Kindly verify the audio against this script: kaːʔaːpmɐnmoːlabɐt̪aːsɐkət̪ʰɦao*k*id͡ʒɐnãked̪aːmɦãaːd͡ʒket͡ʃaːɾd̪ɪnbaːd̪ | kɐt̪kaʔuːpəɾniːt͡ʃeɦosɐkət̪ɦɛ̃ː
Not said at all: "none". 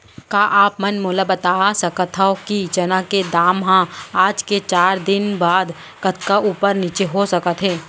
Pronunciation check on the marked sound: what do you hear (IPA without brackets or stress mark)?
k